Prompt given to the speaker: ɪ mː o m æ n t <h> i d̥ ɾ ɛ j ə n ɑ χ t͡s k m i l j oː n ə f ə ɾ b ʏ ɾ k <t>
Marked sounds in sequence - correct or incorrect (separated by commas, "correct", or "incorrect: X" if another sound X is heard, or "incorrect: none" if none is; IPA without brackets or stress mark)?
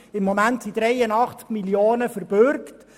incorrect: s, correct